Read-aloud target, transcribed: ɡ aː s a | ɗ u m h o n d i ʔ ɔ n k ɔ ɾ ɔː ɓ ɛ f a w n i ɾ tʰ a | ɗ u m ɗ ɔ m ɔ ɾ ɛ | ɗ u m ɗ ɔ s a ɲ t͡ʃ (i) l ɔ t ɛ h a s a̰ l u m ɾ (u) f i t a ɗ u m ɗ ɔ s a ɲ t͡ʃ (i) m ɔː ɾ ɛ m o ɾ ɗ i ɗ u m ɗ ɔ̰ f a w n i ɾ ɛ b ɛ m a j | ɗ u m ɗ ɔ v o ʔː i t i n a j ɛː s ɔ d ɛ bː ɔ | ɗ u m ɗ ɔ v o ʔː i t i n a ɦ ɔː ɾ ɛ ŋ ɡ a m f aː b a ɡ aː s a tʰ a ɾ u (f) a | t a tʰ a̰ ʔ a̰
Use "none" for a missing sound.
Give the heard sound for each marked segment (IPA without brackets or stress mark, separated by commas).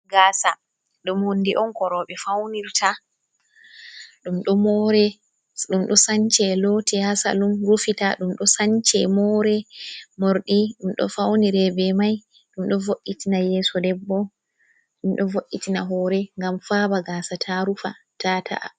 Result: ɛ, u, ɛ, f